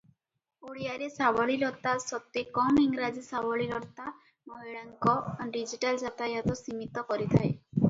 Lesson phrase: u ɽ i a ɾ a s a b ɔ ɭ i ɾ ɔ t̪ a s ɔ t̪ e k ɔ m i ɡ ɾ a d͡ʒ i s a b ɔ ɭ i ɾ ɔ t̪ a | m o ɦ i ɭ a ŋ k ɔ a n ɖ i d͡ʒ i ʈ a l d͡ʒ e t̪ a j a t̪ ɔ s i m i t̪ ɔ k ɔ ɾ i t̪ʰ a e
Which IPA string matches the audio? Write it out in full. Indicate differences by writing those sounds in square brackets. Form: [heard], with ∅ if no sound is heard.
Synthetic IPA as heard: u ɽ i a ɾ [e] s a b ɔ ɭ i ɾ ɔ t̪ a s ɔ t̪ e k ɔ m i [ŋ] ɾ a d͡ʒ i s a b ɔ ɭ i ɾ ɔ t̪ a | m [ɔ] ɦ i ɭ a ŋ k ɔ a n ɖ i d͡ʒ i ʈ a l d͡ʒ [a] t̪ a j a t̪ ɔ s i m i t̪ ɔ k ɔ ɾ i t̪ʰ a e